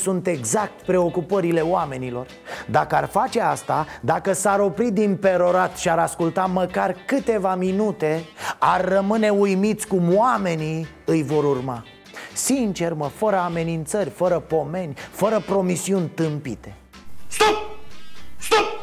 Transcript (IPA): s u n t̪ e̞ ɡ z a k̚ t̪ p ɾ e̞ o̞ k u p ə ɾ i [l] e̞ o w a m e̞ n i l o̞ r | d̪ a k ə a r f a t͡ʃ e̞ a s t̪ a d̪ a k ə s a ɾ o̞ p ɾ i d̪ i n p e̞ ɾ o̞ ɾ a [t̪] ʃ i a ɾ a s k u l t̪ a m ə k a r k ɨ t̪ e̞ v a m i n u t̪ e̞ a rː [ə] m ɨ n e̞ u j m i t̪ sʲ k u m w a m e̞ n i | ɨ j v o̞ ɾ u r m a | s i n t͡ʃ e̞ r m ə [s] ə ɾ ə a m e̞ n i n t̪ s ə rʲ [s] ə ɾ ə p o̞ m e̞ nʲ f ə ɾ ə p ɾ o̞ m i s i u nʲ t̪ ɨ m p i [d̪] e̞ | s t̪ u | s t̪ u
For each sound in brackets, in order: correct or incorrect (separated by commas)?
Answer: correct, correct, correct, incorrect, incorrect, incorrect